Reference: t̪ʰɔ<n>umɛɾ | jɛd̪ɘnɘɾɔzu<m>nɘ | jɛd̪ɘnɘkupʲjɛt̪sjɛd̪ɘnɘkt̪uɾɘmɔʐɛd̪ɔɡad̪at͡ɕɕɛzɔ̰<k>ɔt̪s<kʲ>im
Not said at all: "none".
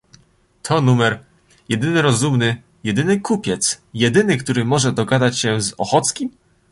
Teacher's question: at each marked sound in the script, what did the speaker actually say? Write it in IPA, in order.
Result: n, m, x, kʲ

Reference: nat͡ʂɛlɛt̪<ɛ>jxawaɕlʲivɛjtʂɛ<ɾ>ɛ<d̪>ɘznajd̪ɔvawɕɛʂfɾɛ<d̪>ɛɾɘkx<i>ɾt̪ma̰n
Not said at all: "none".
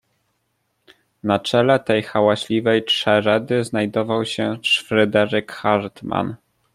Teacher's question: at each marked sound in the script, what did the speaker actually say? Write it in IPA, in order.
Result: ɛ, ɾ, d̪, d̪, a

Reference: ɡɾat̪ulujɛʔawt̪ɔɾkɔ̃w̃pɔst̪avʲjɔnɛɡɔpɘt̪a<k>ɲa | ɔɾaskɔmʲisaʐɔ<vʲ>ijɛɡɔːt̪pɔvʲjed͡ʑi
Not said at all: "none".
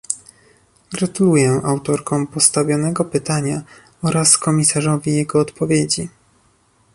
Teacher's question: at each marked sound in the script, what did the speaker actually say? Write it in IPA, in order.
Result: none, vʲ

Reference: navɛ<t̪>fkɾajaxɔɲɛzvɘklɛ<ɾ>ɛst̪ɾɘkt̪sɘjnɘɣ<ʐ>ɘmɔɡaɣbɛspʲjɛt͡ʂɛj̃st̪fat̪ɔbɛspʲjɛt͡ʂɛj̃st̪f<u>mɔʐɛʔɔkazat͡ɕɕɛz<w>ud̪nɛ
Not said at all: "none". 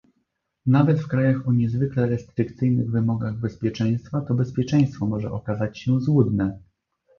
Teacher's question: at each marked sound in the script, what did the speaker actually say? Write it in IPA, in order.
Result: t̪, ɾ, v, ɔ, w

